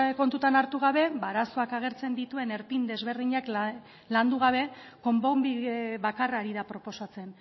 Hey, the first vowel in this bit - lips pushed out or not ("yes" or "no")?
yes